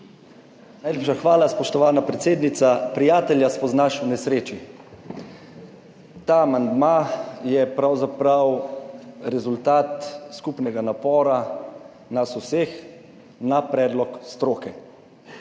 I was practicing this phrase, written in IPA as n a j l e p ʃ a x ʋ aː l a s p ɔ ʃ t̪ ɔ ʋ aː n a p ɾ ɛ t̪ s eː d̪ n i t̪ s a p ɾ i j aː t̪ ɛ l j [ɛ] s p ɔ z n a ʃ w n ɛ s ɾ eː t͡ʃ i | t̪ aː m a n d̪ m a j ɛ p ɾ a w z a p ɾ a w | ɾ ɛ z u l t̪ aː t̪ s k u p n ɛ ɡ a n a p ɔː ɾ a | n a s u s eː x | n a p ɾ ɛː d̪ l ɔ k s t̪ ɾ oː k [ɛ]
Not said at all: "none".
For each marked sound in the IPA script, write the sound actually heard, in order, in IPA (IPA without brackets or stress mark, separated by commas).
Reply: a, ɛ